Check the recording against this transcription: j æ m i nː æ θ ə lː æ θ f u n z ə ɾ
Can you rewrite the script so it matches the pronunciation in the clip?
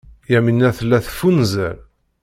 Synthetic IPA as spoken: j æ m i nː æ θ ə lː æ θ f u n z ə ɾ